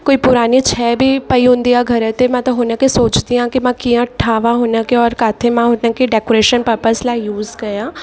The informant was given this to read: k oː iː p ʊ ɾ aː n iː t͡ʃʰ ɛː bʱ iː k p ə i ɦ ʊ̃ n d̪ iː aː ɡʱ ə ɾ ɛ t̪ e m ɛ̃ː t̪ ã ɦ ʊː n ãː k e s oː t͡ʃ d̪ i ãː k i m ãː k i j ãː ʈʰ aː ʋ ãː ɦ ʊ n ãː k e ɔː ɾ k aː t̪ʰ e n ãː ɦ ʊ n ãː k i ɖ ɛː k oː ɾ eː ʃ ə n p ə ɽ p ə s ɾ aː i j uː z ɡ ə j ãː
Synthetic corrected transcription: k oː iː p ʊ ɾ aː n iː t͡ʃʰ ɛː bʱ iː p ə i ɦ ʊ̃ n d̪ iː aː ɡʱ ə ɾ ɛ t̪ e m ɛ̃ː t̪ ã ɦ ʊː n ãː k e s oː t͡ʃ d̪ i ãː k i m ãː k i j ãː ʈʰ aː ʋ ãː ɦ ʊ n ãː k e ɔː ɾ k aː t̪ʰ e m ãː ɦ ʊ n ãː k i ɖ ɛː k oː ɾ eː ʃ ə n p ə ɾ p ə s l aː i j uː z ɡ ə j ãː